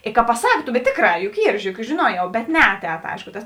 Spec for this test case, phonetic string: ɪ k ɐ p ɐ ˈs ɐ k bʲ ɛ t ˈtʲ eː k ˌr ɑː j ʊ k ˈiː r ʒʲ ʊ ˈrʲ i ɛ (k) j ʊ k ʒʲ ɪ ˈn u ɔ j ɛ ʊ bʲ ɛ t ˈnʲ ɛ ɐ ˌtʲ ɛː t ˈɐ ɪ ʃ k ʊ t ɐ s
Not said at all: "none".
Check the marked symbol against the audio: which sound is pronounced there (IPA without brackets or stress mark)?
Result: k